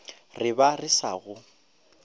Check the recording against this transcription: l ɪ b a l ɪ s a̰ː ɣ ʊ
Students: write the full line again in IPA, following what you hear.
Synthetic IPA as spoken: r ɪ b a r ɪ s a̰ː ɣ ʊ